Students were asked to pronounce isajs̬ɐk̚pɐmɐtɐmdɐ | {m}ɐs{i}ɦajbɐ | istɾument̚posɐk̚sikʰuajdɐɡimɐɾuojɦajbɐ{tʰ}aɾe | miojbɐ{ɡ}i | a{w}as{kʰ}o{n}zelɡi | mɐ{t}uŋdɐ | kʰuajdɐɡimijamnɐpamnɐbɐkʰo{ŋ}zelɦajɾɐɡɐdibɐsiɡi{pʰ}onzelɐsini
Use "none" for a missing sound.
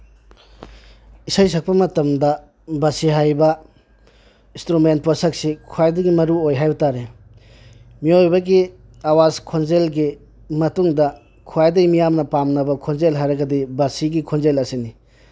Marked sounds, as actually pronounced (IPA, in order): b, i, t, ɡ, w, kʰ, n, t, n, kʰ

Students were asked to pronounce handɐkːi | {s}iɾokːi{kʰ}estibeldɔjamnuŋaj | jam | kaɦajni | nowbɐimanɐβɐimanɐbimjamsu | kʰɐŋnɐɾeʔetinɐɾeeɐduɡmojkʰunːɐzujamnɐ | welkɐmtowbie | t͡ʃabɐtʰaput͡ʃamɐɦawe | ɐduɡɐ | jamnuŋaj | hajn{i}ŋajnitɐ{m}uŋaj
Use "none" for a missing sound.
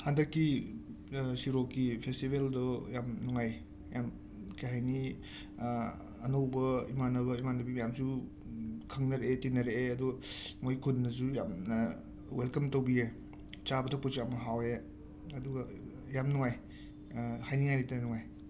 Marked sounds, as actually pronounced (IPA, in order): s, pʰ, i, n

